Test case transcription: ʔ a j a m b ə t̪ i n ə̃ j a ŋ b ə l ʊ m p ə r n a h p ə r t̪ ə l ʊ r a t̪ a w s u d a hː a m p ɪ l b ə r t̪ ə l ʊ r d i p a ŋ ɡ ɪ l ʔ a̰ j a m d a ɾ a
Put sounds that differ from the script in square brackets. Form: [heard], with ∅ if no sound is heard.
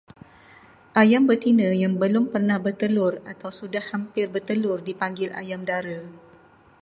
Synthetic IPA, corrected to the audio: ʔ a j a m b ə t̪ i n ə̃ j a ŋ b ə l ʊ m p ə r n a h [b] ə r t̪ ə l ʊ r a t̪ a w s u d a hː a m p ɪ [r] b ə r t̪ ə l ʊ r d i p a ŋ ɡ ɪ l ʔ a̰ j a m d a ɾ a